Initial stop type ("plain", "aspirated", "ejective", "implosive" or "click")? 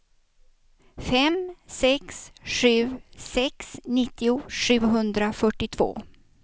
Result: plain